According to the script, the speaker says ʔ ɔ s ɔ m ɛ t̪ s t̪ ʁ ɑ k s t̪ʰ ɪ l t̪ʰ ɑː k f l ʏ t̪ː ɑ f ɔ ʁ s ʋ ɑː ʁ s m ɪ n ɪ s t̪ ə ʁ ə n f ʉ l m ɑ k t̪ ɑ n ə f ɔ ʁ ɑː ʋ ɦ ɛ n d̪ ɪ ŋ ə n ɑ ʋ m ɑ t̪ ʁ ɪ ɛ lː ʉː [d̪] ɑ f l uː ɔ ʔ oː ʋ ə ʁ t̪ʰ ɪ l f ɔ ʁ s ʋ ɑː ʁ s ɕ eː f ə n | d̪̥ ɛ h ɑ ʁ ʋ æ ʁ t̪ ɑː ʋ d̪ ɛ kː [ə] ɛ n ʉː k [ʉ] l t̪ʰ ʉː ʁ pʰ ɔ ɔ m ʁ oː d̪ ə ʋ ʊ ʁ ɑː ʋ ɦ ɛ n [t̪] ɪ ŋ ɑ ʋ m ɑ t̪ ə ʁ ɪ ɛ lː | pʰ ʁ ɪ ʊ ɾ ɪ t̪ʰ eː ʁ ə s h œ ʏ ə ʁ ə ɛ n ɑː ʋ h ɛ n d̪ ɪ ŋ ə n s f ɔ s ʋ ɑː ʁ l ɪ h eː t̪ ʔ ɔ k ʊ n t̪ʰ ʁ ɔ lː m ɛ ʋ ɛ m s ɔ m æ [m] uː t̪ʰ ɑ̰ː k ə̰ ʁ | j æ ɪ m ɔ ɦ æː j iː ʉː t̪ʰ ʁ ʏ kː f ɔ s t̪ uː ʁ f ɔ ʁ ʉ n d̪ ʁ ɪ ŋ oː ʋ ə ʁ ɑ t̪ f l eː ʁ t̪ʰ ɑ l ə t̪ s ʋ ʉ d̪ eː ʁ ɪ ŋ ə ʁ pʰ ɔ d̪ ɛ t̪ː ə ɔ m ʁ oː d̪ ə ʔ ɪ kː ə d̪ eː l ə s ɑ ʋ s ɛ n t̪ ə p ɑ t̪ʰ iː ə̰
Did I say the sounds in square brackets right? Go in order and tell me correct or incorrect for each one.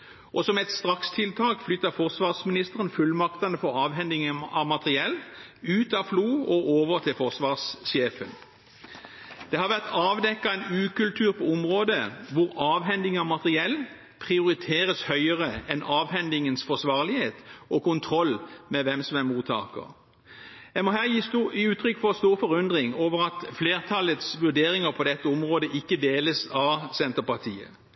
incorrect: t̪, incorrect: ɑ, correct, incorrect: d̪, correct

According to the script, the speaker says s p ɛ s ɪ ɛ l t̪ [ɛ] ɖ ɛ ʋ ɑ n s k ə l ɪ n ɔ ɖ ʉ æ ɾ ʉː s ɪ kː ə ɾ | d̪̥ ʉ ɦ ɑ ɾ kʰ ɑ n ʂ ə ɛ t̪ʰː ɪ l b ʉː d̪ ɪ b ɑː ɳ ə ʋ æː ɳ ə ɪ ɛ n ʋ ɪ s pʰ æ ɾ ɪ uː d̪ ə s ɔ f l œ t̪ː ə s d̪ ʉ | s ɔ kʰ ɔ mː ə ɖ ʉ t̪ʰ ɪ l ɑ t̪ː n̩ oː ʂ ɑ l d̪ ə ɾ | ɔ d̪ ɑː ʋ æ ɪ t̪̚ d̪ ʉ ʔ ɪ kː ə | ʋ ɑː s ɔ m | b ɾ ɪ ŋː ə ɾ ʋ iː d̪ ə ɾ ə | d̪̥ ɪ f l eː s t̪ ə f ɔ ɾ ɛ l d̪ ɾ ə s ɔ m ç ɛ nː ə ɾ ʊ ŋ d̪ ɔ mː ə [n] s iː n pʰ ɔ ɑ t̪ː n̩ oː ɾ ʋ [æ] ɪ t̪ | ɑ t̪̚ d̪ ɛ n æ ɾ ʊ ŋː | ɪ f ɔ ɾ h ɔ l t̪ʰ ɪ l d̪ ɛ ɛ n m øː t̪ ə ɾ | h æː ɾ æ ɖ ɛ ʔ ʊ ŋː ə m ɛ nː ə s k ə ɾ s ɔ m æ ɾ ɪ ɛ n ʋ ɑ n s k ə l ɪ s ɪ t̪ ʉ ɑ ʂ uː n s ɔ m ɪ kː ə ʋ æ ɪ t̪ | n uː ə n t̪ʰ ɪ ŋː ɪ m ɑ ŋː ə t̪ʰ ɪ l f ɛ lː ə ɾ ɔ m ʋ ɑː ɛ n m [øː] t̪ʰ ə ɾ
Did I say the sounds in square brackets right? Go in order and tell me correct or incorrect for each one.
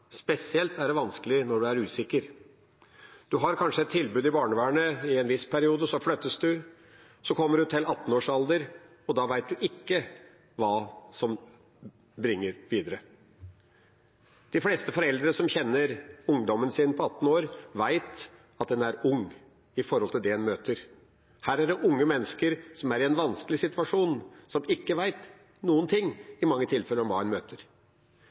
incorrect: æ, correct, correct, correct

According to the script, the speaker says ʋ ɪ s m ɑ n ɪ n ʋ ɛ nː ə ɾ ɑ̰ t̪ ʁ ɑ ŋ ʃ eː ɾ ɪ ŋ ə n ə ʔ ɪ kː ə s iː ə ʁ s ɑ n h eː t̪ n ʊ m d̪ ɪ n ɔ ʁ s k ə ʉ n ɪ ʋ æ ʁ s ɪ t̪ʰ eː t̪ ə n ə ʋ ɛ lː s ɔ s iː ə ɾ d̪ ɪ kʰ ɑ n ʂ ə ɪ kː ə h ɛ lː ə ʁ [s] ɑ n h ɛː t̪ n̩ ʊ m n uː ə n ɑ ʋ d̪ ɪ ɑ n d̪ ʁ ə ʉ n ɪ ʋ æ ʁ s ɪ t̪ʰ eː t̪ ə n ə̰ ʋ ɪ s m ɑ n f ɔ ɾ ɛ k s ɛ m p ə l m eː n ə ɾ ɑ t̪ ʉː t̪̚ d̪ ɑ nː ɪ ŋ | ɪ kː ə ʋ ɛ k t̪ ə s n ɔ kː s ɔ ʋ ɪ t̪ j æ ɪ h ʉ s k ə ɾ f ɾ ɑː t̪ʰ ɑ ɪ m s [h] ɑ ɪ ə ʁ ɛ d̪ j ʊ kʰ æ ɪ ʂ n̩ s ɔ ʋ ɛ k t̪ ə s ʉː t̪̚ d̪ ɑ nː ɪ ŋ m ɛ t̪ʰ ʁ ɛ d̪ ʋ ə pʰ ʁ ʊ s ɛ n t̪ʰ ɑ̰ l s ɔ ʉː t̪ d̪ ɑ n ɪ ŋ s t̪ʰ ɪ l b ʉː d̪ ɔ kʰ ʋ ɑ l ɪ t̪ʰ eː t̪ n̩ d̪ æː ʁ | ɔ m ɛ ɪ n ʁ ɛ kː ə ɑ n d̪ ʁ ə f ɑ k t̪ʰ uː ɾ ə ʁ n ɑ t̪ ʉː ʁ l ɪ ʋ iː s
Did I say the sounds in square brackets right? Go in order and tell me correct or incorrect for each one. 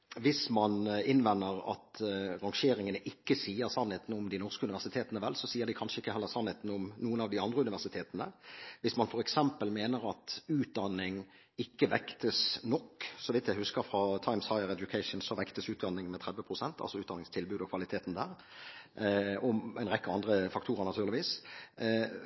correct, correct

